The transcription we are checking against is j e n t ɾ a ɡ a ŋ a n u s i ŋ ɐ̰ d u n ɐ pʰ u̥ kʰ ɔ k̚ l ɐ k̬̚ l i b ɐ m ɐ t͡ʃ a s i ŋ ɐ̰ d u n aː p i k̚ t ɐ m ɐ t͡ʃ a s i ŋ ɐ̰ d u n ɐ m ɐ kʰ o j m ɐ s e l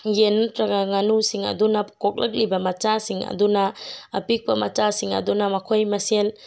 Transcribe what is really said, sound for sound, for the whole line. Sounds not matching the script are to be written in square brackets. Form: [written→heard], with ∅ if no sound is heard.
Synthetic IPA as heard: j e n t ɾ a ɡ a ŋ a n u s i ŋ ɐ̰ d u n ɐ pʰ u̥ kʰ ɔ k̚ l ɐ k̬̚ l i b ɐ m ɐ t͡ʃ a s i ŋ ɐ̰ d u n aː p i k̚ [t→p] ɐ m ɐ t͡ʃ a s i ŋ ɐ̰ d u n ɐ m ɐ kʰ o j m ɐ s e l